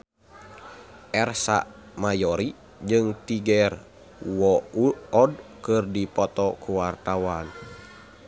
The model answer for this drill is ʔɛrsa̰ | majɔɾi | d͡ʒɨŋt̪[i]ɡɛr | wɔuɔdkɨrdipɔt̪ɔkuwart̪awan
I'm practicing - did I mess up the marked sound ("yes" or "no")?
no